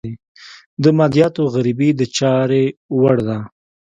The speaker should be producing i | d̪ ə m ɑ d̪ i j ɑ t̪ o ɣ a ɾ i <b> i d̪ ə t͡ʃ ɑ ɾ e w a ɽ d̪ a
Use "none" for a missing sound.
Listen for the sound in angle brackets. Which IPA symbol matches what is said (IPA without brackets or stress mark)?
b